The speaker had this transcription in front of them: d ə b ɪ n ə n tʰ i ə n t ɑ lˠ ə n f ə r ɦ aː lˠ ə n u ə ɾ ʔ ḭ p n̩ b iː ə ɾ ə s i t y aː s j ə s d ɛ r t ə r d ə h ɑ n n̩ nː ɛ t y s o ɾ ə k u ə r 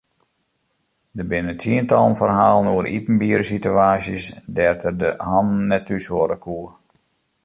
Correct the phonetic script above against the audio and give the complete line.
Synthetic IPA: d ə b ɪ n ə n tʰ i ə n t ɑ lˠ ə n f ə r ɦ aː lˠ ə n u ə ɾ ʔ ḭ p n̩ b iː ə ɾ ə s i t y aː s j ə s d ɛ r t ə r d ə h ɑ n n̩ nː ɛ t y s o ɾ ə k u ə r

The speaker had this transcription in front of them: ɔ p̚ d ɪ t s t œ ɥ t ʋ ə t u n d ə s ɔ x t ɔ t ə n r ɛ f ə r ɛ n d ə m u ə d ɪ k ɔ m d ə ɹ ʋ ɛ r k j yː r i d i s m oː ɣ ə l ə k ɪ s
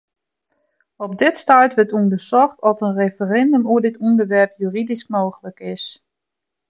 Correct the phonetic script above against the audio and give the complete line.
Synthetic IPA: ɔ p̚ d ɪ t s t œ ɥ t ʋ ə t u n d ə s ɔ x t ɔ t ə n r e f ə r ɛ n d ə m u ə d ɪ t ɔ n d ə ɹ ʋ ɛ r p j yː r i d i s m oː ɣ ə l ə k ɪ s

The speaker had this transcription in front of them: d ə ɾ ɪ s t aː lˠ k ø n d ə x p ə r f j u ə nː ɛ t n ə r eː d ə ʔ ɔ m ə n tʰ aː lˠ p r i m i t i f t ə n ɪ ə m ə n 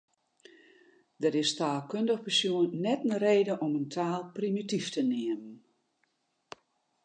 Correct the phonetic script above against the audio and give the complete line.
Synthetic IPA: d ə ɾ ɪ s t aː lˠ k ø n d ə x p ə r s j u ə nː ɛ t n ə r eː d ə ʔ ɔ m ə n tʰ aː lˠ p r i m i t i f t ə n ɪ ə m ə n

